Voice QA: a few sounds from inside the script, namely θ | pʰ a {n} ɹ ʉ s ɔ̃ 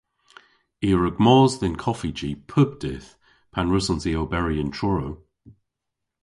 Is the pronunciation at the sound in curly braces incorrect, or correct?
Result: correct